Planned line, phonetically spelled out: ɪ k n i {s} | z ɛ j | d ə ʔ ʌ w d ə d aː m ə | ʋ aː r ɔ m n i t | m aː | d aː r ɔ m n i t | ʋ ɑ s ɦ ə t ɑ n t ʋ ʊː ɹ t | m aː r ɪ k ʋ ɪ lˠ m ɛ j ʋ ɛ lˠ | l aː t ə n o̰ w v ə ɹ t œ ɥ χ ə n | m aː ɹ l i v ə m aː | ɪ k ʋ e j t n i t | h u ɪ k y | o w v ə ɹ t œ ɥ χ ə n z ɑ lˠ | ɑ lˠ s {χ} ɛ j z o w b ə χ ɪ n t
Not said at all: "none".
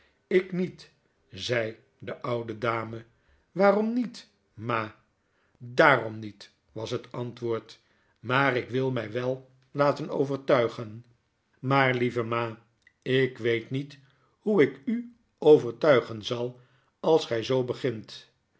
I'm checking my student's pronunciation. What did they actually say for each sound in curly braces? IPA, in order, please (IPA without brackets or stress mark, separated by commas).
t, χ